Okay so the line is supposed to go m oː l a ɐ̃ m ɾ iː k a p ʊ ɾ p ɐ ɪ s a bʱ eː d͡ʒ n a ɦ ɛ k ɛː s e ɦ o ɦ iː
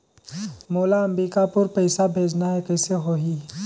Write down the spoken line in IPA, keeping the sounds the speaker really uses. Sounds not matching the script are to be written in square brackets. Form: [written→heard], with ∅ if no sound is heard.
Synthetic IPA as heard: m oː l a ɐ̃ m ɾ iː k a p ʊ ɾ p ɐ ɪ s a bʱ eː d͡ʒ n a ɦ ɛ k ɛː s e ɦ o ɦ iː